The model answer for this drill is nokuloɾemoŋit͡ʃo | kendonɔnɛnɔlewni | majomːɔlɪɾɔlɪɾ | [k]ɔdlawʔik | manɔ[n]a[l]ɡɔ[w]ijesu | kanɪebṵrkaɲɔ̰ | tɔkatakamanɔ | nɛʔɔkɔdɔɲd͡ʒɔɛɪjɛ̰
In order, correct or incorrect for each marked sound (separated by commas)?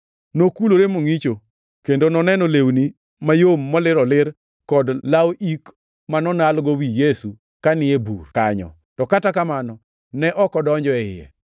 correct, correct, correct, correct